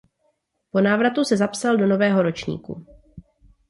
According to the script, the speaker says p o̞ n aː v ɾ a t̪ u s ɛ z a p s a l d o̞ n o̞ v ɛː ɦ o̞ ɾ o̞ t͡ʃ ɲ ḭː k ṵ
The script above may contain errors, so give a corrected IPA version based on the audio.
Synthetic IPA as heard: p o̞ n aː v ɾ a t̪ u s ɛ z a p s a l d o̞ n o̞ v ɛː ɦ o̞ ɾ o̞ t͡ʃ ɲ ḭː k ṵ